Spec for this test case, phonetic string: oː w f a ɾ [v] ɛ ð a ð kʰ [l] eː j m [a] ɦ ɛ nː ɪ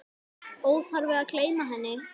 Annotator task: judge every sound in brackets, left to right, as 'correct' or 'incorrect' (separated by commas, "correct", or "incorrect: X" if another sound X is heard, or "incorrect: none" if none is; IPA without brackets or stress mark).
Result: correct, correct, correct